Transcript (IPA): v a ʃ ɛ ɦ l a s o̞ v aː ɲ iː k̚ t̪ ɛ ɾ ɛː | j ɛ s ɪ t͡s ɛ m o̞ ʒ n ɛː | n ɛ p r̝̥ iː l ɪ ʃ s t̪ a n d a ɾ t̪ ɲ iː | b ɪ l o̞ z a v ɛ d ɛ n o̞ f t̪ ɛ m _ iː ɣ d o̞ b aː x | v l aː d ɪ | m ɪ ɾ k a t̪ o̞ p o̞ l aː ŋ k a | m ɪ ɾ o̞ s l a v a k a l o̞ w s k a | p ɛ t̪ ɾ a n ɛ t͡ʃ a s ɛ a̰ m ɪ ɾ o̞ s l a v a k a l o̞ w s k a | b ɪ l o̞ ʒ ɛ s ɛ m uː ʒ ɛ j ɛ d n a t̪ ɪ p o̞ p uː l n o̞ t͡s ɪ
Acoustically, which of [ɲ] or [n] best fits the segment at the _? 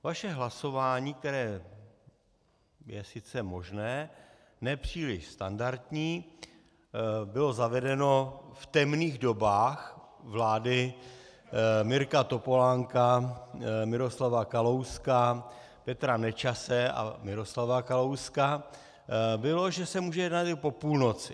n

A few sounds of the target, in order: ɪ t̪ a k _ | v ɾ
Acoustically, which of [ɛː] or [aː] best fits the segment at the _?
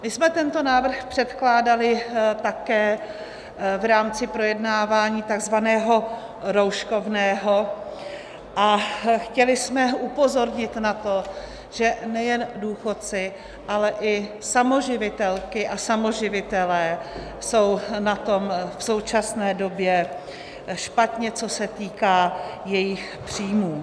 ɛː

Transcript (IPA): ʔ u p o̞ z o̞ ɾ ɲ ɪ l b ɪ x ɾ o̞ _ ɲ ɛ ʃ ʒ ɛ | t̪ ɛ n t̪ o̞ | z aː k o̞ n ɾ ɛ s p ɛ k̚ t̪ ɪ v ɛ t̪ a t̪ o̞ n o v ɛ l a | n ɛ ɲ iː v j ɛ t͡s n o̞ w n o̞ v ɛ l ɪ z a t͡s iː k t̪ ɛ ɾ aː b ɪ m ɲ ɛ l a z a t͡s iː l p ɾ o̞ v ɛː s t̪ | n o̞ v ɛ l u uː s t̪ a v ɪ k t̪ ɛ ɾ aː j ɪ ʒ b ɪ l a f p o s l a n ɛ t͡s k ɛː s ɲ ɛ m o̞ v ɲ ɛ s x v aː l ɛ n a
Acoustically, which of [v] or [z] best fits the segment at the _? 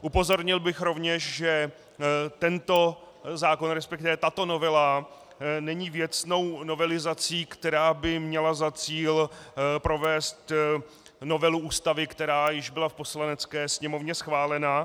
v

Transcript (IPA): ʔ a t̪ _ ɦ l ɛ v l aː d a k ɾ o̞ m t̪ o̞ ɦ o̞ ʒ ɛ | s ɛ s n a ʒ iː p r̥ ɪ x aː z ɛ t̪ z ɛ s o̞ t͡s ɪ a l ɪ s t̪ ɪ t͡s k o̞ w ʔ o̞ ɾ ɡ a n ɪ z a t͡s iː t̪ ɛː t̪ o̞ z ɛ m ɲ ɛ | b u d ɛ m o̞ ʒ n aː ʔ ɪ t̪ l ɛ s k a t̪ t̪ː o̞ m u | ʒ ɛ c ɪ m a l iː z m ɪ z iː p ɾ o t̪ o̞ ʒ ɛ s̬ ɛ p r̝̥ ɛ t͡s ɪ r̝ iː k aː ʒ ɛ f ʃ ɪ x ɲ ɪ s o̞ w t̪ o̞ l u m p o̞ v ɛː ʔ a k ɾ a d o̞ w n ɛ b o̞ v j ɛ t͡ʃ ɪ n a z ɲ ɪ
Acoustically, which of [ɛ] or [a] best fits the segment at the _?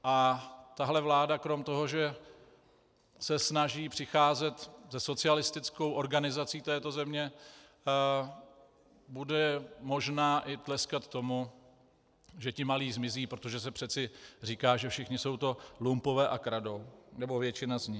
a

